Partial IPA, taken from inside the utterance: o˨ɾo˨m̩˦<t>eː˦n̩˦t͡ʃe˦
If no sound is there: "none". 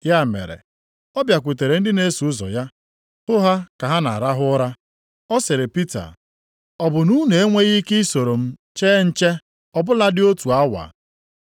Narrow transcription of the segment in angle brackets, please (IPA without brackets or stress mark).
t͡ʃ